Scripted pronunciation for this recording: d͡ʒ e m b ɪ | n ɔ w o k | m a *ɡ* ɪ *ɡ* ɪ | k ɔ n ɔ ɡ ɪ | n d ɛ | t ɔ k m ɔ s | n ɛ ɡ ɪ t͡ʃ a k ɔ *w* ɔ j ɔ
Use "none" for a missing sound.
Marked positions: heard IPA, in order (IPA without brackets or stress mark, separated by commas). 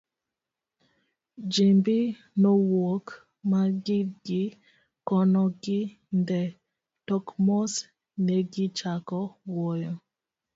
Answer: ɡ, ɡ, w